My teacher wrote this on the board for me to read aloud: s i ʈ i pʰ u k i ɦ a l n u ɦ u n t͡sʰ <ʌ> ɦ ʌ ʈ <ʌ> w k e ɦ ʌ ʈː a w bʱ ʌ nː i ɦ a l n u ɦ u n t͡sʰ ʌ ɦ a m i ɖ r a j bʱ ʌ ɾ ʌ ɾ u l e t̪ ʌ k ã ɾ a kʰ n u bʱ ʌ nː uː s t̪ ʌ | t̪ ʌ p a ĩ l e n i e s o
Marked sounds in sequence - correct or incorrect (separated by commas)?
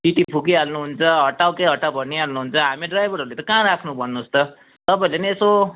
correct, incorrect